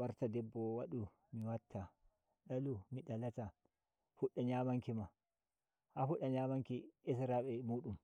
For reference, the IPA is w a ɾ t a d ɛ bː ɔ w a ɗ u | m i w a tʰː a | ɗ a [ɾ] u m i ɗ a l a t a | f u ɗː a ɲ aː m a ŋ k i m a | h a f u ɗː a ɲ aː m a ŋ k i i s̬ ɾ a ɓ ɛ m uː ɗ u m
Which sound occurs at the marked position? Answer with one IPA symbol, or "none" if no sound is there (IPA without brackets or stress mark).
l